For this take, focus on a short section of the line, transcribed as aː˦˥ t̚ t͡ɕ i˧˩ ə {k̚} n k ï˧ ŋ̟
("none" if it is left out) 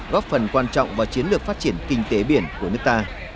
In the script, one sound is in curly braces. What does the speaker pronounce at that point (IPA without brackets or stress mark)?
none